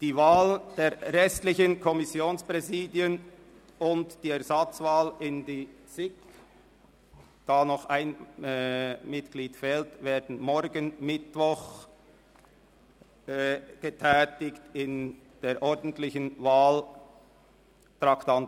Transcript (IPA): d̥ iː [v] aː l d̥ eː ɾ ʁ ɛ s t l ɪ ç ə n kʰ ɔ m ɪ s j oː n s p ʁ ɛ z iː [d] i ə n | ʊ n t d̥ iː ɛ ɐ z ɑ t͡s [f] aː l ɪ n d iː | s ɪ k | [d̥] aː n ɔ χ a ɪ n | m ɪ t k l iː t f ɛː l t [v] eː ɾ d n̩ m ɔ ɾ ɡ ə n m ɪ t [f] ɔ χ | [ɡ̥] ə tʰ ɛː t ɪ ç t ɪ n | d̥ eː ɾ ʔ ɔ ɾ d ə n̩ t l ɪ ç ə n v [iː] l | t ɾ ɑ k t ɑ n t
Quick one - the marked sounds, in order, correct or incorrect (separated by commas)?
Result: correct, correct, incorrect, correct, correct, incorrect, correct, incorrect